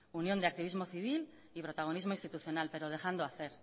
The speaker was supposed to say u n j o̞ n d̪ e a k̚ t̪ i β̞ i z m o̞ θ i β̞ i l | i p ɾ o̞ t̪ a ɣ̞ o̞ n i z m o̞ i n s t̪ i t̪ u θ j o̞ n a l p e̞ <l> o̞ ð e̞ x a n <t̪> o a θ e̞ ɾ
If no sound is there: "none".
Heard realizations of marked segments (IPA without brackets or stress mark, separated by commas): ɾ, d̪